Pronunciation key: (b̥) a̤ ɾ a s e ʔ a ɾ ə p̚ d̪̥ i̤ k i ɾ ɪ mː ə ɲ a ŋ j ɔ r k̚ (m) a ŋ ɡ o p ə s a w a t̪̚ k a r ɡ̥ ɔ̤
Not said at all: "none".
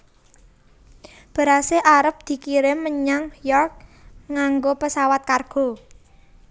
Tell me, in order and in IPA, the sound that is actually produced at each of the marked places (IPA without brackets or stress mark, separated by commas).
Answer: b̥, ŋ